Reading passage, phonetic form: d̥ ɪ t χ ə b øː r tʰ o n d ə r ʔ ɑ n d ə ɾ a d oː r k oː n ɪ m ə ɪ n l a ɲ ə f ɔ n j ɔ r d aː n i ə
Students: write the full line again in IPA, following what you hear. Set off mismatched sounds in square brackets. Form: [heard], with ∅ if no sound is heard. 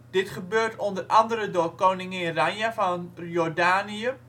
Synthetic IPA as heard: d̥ ɪ t χ ə b øː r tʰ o n d ə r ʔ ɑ n d ə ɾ [ə] d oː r k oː n ɪ [ŋ] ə ɪ n [r] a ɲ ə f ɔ n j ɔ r d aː n i ə

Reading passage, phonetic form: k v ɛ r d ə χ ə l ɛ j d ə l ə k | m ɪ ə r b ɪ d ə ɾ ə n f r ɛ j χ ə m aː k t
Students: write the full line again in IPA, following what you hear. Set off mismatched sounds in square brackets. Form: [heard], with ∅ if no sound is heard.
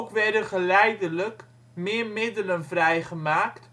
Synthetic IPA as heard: k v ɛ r d ə χ ə l ɛ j d ə l ə k | m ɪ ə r [m] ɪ d ə [l] ə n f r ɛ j χ ə m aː k t

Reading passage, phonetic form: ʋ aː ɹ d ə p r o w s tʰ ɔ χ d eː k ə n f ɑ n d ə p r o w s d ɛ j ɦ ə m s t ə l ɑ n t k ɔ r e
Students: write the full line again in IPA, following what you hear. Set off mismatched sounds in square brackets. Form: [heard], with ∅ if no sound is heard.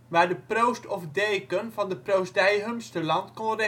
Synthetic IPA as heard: ʋ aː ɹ d ə p r o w s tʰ ɔ [f] d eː k ə n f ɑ n d ə p r o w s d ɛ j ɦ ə m s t ə l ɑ n t k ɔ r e

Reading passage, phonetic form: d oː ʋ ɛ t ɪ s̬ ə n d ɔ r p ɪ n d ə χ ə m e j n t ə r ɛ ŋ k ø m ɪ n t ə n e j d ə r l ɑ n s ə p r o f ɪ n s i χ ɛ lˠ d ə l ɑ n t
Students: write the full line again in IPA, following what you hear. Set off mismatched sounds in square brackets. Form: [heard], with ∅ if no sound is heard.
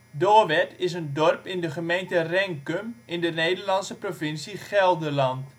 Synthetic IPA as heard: d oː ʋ ɛ t ɪ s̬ ə n d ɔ r p ɪ n d ə χ ə m e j n t ə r ɛ ŋ k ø m ɪ n [d] ə n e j d ə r l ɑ n s ə p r o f ɪ n s i χ ɛ lˠ d ə l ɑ n t

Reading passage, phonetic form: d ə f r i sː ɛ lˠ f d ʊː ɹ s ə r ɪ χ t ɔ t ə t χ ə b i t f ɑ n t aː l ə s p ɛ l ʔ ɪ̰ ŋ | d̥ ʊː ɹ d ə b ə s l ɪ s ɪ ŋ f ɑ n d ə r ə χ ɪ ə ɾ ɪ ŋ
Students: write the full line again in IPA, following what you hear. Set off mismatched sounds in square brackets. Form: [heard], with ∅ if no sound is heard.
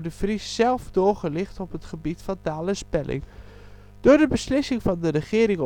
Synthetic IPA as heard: d ə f r i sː ɛ lˠ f d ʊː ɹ [χ] ə [l] ɪ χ t ɔ [p] ə t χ ə b i t f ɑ n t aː l ə s p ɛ l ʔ ɪ̰ ŋ | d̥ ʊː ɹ d ə b ə s l ɪ s ɪ ŋ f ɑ n d ə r ə χ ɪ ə ɾ ɪ ŋ

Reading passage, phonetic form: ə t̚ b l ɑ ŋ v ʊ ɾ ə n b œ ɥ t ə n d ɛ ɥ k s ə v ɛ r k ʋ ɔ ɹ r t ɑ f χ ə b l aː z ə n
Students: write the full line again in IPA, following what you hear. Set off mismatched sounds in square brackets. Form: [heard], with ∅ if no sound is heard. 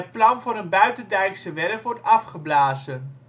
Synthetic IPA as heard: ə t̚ [p] l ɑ [n] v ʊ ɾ ə n b œ ɥ t ə n d ɛ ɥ k s ə [ʋ] ɛ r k ʋ ɔ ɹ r t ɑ f χ ə b l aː z ə n

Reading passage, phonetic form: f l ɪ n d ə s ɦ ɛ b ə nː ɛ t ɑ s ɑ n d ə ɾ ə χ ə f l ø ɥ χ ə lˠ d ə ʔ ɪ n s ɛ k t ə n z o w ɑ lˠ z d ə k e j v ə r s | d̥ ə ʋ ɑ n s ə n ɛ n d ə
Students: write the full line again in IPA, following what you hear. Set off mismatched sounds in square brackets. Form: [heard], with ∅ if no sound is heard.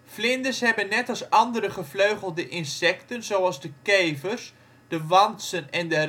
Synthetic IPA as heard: f l ɪ n d ə s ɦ ɛ b ə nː ɛ t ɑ s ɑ n d ə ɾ ə χ ə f l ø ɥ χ ə lˠ d ə ʔ ɪ n s ɛ k t ə n z o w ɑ lˠ z d ə k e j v ə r s | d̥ ə ʋ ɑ n s ə n ɛ n d ə

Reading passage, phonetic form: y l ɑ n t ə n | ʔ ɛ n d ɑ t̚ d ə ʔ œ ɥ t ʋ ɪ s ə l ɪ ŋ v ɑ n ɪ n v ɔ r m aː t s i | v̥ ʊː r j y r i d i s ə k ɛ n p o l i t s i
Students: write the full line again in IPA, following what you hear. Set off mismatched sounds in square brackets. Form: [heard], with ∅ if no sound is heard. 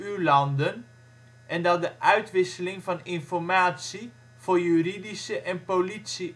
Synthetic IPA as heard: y l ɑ n [d] ə n | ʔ ɛ n d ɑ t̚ d ə ʔ œ ɥ t ʋ ɪ s ə l ɪ ŋ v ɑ n ɪ n [f] ɔ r m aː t s i | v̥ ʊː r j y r i d i s ə [ʔ] ɛ n p o l i t s i

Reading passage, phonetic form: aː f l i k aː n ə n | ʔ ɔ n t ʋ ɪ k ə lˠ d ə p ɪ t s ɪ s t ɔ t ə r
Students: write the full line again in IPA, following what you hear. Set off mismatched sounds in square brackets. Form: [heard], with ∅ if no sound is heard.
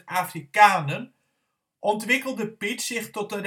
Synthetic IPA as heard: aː f [r] i k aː n ə n | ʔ ɔ n t ʋ ɪ k ə lˠ d ə p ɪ t s ɪ [χ] t ɔ t ə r

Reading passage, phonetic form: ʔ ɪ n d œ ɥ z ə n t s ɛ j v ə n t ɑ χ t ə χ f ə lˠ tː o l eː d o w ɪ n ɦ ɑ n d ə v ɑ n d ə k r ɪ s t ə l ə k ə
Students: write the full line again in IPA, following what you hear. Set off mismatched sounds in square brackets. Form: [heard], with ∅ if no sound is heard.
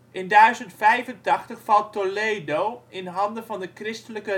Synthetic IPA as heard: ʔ ɪ n d œ ɥ z ə n t [f] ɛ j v ə n t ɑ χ t ə χ f [ɑ] lˠ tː o l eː d o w ɪ n ɦ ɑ n d ə v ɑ n d ə k r ɪ s t ə l ə k ə

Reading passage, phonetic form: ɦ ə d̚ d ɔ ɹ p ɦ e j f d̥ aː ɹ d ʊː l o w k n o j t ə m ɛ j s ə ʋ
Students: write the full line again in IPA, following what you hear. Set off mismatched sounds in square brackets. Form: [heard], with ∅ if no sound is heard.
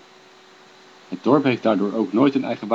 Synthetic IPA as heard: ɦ ə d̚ d ɔ ɹ p ɦ e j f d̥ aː ɹ d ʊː [ɹ] o w k n o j t ə [n] ɛ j [χ] ə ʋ

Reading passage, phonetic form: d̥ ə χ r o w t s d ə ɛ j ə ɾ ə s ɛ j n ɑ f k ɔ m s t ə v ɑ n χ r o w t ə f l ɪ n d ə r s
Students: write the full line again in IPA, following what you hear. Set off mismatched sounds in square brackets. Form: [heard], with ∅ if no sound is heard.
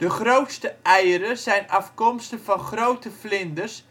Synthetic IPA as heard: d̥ ə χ r o w t s [t] ə ɛ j ə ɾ ə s ɛ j n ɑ f k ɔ m s t ə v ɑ n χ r o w t ə f l ɪ n d ə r s

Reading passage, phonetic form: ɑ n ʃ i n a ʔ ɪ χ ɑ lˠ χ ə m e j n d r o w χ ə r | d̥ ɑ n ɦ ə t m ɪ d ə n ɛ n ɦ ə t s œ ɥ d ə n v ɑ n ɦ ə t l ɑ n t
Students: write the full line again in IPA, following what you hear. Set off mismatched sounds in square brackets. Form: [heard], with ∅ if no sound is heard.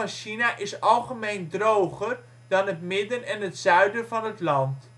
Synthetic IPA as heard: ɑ n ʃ i n a ʔ ɪ [s] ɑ lˠ χ ə m e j n d r o w χ ə r | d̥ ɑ n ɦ ə t m ɪ d ə n ɛ n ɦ ə t s œ ɥ d ə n v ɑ n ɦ ə t l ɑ n t

